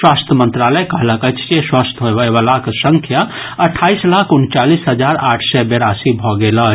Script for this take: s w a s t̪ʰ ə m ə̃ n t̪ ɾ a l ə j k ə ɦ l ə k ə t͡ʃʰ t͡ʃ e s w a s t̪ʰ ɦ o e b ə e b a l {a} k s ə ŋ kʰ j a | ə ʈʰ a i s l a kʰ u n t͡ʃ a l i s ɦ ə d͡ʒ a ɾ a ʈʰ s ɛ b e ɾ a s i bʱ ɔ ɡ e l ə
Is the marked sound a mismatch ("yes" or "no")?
no